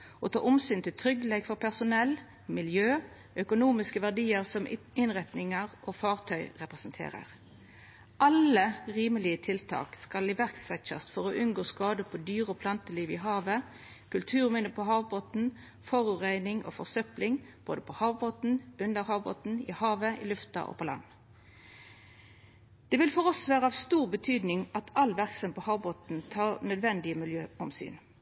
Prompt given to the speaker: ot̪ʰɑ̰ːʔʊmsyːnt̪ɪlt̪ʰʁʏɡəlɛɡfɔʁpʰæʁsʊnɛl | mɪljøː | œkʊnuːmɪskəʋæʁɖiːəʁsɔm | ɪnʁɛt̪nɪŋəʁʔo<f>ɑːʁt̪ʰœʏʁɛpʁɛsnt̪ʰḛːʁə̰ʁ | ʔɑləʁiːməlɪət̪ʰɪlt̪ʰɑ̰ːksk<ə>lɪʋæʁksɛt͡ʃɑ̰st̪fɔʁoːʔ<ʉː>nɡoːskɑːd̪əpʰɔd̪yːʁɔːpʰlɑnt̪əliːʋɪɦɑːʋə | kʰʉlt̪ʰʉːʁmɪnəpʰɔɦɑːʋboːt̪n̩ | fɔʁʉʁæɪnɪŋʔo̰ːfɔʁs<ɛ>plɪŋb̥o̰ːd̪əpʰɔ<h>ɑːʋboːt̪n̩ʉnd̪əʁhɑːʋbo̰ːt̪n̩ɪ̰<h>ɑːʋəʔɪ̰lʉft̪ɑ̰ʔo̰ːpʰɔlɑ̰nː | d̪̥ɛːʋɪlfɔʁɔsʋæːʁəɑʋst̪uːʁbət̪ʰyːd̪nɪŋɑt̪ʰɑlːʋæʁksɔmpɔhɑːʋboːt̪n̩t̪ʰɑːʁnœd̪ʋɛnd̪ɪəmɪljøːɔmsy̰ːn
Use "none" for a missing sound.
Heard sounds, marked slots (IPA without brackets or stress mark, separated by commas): f, ɑ, ʉ, œ, h, h